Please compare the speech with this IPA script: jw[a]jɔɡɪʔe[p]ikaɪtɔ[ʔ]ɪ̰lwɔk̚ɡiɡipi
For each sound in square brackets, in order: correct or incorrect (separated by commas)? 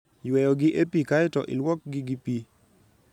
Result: incorrect, correct, correct